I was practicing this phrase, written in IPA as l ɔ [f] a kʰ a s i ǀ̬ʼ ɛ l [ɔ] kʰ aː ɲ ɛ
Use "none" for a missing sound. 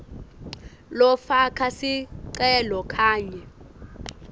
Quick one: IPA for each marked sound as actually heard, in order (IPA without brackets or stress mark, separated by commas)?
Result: f, ɔ